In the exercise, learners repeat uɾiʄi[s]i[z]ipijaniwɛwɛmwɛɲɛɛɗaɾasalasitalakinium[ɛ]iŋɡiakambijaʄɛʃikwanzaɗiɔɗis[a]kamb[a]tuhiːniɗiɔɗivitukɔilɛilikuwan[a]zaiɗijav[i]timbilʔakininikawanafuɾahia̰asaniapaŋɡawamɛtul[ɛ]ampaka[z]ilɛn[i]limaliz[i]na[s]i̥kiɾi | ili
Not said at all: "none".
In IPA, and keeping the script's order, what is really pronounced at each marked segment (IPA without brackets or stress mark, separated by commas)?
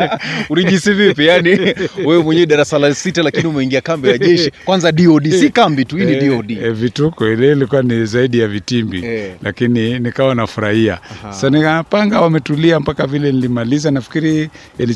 s, v, ɛ, i, i, i, i, i, v, i, a, f